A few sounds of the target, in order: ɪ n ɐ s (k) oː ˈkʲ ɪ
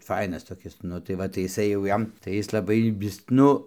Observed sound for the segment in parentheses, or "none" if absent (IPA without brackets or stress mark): t